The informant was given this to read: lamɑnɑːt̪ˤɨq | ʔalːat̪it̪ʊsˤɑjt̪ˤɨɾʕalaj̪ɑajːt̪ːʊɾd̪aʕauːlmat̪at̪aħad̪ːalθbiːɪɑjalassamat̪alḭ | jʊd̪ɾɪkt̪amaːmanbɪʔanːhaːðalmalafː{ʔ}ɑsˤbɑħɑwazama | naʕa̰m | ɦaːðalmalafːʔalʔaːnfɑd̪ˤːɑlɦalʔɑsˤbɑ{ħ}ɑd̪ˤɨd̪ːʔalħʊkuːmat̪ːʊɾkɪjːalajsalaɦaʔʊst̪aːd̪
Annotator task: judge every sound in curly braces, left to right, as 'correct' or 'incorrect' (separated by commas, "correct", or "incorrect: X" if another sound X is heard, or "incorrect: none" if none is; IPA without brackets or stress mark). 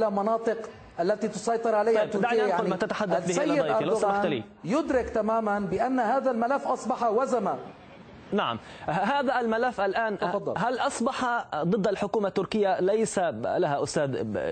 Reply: correct, correct